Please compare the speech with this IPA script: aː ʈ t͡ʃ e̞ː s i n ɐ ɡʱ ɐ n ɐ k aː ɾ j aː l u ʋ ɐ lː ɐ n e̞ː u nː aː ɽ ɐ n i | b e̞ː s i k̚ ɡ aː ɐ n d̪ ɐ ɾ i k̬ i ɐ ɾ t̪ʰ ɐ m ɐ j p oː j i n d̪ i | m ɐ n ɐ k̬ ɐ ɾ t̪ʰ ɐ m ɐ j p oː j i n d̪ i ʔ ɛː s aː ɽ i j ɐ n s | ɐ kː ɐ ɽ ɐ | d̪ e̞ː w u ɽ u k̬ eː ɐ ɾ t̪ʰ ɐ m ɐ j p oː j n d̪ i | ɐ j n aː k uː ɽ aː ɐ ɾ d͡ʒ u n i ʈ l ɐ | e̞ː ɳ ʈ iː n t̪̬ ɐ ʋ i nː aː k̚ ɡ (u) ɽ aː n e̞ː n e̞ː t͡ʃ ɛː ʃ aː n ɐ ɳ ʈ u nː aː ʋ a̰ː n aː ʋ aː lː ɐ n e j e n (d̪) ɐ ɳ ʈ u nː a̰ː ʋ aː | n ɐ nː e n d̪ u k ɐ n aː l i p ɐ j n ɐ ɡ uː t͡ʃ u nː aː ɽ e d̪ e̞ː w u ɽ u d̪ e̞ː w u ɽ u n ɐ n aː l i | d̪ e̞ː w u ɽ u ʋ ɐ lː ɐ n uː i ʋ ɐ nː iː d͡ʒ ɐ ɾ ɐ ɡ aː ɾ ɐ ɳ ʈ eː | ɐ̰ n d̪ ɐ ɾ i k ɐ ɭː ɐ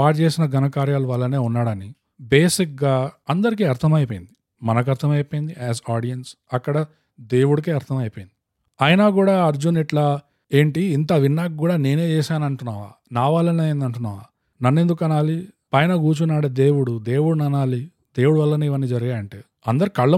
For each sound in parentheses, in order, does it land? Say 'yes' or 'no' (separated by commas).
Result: no, yes